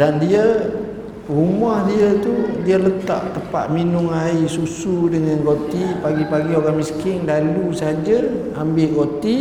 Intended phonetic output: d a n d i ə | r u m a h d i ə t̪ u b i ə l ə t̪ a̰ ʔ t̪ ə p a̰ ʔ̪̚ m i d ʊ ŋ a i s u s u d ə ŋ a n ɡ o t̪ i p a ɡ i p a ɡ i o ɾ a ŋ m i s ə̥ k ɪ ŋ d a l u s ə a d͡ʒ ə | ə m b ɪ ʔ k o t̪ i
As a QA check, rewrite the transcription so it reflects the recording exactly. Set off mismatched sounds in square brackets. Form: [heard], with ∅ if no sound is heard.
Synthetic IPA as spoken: d a n d i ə | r u m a h d i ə t̪ u [d] i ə l ə t̪ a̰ ʔ t̪ ə p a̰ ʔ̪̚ m i [n] ʊ ŋ a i s u s u d ə ŋ a n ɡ o t̪ i p a ɡ i p a ɡ i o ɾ a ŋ m i s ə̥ k ɪ ŋ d a l u s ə a d͡ʒ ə | [a] m b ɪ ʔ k o t̪ i